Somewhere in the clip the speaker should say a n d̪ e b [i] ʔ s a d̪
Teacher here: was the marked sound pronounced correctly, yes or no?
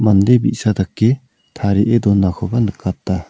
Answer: yes